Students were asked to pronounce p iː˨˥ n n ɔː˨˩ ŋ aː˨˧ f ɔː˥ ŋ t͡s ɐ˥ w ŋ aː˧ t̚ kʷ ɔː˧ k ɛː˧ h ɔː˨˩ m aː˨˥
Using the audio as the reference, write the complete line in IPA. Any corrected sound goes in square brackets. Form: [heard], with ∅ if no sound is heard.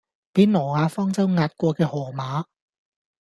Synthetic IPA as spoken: p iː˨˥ n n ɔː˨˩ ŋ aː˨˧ f ɔː˥ ŋ t͡s ɐ˥ w ŋ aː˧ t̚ kʷ ɔː˧ k ɛː˧ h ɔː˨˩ m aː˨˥